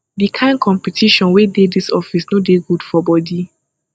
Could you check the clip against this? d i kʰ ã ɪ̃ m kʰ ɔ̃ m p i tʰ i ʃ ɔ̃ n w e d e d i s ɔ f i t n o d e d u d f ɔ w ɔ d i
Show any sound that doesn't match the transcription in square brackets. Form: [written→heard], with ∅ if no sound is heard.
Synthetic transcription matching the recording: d i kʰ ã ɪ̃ [m→n] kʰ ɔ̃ m p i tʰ i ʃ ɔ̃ n w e d e d i s ɔ f i [t→s] n o d e [d→ɡ] u d f ɔ [w→b] ɔ d i